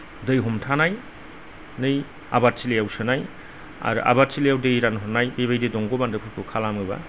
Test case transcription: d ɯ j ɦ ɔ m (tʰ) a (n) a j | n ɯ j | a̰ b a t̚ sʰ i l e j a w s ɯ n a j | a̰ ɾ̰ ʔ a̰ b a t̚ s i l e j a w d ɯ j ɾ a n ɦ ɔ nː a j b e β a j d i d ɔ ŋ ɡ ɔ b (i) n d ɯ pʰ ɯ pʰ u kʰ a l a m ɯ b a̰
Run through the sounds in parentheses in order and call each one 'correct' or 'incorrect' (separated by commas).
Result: correct, correct, incorrect